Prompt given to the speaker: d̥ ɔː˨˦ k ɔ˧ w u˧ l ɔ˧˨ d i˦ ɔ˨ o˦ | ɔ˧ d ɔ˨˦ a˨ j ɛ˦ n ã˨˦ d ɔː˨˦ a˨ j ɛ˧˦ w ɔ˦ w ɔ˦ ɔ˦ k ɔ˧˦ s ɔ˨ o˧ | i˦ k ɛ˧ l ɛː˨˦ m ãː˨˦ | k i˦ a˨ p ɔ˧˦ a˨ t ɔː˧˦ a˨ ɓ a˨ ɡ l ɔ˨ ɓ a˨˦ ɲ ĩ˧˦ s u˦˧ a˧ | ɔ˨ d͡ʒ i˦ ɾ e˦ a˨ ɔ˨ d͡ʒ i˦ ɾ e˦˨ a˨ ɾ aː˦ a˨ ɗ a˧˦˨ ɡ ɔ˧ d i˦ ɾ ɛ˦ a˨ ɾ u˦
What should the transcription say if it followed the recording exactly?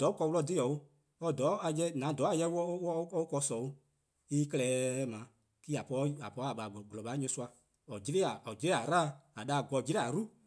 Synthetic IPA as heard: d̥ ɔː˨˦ k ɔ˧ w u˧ l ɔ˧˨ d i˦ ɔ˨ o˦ | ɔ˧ d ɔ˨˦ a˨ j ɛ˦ n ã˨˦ d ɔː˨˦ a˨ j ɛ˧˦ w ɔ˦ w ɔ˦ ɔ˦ k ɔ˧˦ s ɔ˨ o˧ | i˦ k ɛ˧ l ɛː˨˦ m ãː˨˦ | k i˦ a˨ p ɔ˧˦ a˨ p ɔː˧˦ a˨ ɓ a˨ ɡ l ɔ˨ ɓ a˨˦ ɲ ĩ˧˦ s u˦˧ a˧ | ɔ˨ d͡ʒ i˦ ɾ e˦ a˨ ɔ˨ d͡ʒ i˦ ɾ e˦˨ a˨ ɾ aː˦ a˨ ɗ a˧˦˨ ɡ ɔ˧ d͡ʒ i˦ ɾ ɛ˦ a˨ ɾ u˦

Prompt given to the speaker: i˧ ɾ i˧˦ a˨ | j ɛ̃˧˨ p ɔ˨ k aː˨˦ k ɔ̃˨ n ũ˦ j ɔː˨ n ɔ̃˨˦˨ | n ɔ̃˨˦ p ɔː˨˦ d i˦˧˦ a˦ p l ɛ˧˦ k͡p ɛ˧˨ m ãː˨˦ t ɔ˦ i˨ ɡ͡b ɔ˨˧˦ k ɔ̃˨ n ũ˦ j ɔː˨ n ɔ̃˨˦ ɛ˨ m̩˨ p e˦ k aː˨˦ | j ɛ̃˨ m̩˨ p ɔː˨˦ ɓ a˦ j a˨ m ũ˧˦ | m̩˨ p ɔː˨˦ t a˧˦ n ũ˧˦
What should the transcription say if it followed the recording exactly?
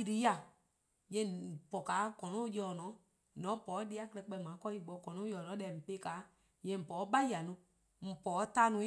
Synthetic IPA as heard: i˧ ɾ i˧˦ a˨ | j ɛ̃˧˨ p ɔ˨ k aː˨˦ k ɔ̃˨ n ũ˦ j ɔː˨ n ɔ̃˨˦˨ | n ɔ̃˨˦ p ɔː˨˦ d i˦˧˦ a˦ k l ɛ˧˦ k͡p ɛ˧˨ m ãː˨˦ k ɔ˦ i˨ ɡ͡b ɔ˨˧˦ k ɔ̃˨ n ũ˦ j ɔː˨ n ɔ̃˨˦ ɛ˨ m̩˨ p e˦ k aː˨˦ | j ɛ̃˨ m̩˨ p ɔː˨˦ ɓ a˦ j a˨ n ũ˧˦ | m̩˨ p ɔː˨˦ t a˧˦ n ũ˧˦

